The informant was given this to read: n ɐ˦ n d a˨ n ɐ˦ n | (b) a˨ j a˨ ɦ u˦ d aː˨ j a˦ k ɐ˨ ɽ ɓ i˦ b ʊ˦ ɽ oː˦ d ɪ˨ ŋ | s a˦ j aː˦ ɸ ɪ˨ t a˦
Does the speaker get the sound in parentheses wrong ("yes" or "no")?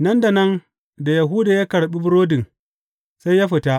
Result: yes